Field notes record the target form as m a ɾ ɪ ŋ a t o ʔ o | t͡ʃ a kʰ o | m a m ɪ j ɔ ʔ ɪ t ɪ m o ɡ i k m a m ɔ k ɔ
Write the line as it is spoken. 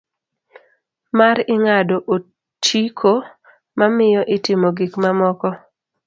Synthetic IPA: m a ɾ ɪ ŋ a d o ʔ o | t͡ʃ i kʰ o | m a m ɪ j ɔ ʔ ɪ t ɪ m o ɡ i k m a m ɔ k ɔ